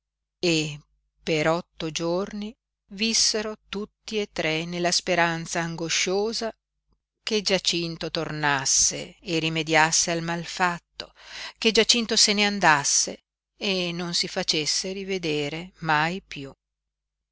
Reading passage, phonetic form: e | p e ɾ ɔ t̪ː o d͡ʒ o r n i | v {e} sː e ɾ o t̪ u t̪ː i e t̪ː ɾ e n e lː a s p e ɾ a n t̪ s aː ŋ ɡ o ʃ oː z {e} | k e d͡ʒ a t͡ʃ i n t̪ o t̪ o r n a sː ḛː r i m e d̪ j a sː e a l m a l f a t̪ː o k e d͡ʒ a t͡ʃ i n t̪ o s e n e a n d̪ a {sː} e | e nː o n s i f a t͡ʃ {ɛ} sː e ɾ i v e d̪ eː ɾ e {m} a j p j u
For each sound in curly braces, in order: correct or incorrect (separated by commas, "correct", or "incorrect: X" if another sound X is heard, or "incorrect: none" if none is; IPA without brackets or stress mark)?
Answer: incorrect: i, incorrect: a, correct, incorrect: e, correct